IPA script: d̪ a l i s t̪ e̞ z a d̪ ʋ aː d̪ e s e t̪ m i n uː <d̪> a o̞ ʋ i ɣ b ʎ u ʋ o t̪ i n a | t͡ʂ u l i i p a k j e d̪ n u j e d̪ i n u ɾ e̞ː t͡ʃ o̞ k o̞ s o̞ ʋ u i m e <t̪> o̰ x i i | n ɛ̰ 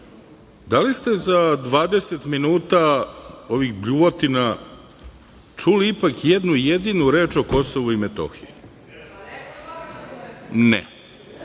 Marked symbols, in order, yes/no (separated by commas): no, yes